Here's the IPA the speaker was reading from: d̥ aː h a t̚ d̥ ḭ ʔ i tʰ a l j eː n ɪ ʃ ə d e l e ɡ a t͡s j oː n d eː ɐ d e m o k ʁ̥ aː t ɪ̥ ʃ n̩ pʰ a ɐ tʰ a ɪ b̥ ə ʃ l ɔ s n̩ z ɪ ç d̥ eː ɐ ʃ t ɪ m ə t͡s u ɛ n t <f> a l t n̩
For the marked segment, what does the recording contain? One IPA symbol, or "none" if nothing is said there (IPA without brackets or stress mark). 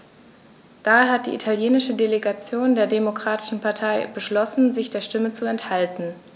h